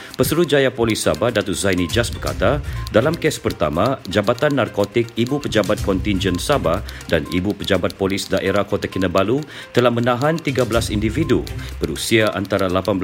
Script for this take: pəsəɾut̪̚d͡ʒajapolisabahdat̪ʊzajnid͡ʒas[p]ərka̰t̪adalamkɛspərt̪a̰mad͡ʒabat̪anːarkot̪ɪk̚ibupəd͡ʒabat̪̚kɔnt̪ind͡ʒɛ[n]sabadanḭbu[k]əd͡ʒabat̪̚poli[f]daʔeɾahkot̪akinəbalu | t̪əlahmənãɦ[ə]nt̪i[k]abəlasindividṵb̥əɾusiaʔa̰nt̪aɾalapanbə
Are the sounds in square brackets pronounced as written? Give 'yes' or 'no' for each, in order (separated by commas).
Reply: no, yes, no, no, no, no